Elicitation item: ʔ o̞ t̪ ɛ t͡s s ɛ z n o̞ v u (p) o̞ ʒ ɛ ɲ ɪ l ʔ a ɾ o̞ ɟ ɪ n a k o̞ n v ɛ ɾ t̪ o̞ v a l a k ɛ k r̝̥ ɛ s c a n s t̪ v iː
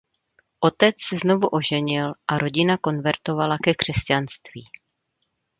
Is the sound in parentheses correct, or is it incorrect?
incorrect